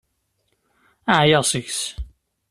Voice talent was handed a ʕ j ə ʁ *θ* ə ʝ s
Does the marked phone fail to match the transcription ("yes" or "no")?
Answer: yes